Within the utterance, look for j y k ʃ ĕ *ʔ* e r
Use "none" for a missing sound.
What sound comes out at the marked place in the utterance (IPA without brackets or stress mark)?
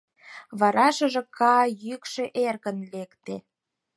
ʔ